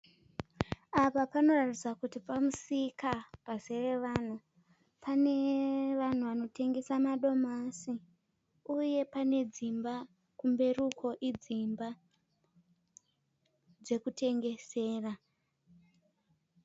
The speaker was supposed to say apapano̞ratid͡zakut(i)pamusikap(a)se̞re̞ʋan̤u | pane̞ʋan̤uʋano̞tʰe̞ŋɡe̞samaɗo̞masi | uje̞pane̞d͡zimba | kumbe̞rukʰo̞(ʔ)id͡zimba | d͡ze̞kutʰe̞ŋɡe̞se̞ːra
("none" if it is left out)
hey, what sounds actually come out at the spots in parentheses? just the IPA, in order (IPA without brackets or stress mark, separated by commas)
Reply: i, a, ʔ